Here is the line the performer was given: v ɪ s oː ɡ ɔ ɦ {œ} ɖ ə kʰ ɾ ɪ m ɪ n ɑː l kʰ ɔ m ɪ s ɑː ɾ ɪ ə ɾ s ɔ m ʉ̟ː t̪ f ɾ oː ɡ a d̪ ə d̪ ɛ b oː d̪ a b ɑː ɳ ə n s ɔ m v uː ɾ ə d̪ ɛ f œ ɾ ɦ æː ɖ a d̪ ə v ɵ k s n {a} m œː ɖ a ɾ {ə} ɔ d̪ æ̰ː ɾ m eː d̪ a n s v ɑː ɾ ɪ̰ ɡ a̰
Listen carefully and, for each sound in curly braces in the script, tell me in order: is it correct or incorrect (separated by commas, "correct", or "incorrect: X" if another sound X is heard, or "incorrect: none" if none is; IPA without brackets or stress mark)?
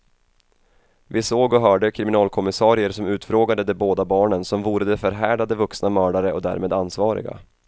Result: incorrect: œː, correct, correct